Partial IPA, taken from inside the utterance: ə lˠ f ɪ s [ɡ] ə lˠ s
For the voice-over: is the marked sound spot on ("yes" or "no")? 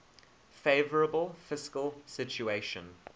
no